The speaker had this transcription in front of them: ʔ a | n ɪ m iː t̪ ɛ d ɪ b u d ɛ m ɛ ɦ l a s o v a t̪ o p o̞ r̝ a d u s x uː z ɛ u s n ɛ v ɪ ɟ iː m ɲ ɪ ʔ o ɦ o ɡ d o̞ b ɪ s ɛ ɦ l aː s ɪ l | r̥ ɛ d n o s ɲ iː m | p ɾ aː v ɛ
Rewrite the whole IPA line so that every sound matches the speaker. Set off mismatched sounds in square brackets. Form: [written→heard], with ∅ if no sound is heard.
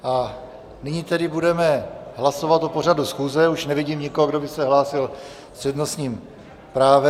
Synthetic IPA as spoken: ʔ a | n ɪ [m→ɲ] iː t̪ ɛ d ɪ b u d ɛ m ɛ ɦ l a s o v a t̪ o p o̞ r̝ a d u s x uː z ɛ u [s→ʃ] n ɛ v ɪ ɟ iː m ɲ ɪ [ʔ→k] o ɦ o ɡ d o̞ b ɪ s ɛ ɦ l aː s ɪ l | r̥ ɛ d n o s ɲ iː m | p ɾ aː v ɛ

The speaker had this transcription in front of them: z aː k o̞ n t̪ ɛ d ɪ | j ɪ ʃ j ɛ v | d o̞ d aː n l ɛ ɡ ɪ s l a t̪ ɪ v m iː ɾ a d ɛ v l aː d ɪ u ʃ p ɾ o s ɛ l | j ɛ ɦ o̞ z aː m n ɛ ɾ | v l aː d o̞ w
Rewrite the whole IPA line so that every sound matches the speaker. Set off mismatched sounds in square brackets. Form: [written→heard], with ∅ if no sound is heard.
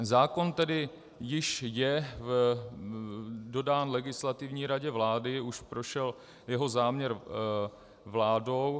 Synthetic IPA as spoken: z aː k o̞ n t̪ ɛ d ɪ | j ɪ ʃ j ɛ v | d o̞ d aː n l ɛ ɡ ɪ s l a t̪ ɪ v [m→ɲ] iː ɾ a [d→ɟ] ɛ v l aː d ɪ u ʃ p ɾ o [s→ʃ] ɛ l | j ɛ ɦ o̞ z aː m [n→ɲ] ɛ ɾ | v l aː d o̞ w

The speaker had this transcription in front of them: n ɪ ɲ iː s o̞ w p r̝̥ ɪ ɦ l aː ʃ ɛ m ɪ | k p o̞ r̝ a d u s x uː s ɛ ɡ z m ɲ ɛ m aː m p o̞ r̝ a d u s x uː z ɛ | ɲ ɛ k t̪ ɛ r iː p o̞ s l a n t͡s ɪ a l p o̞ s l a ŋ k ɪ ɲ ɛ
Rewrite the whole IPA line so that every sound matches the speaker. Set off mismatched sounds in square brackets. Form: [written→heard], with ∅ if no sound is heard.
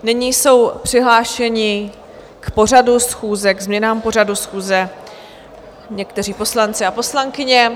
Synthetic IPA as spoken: n ɪ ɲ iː s o̞ w p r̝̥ ɪ ɦ l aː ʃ ɛ [m→ɲ] ɪ | k p o̞ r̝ a d u s x uː [s→z] ɛ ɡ z m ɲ ɛ [m→n] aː m p o̞ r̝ a d u s x uː z ɛ | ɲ ɛ k t̪ ɛ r iː p o̞ s l a n t͡s ɪ a [l→∅] p o̞ s l a ŋ k ɪ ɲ ɛ

